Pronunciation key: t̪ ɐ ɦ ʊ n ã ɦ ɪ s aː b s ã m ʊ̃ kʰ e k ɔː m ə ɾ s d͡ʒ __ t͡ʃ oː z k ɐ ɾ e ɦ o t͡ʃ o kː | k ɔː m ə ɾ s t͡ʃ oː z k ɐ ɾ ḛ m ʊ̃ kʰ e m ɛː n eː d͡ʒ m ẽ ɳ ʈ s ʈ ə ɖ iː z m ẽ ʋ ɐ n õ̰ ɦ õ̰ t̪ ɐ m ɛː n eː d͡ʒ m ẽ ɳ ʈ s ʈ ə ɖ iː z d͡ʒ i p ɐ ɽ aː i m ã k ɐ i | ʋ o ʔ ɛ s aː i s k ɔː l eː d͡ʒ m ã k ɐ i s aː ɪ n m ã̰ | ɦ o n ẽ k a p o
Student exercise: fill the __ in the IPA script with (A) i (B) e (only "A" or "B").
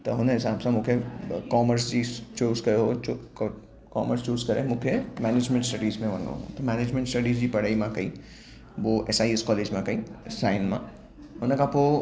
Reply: A